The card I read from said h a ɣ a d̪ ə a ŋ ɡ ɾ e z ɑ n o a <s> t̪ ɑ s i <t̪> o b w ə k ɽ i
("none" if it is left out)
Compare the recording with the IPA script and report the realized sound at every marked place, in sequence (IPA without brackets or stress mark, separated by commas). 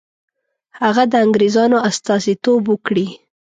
s, t̪